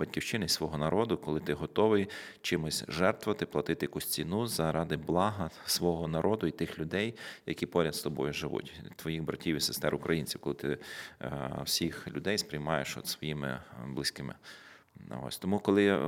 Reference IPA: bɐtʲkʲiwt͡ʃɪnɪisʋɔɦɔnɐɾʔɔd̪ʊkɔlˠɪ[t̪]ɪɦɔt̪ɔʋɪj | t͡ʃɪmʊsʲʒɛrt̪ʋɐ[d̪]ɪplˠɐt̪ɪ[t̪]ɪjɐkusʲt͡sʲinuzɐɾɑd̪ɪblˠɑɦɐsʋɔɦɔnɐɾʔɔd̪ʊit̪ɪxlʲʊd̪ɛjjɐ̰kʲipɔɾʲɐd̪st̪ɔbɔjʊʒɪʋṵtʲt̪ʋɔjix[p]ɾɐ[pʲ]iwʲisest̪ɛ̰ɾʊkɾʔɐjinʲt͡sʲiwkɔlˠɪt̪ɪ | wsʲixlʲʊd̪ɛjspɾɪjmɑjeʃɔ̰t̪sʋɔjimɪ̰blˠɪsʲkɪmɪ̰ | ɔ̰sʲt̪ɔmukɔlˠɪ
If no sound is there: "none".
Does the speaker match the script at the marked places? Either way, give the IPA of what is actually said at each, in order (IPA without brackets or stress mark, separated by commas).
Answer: t̪, t̪, t̪, b, tʲ